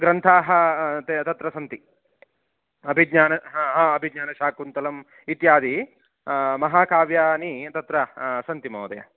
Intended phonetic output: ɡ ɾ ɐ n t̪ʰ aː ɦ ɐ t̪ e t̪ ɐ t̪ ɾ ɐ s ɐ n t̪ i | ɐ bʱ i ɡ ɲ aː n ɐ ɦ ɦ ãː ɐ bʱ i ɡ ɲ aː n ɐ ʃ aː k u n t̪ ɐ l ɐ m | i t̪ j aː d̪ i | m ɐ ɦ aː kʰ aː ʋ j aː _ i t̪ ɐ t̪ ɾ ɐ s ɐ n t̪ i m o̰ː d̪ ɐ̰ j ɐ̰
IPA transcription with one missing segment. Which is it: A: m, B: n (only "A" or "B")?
B